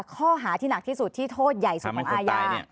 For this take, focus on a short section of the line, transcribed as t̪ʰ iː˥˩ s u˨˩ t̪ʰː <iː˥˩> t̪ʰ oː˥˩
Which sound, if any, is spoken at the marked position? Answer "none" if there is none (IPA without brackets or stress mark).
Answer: iː˥˩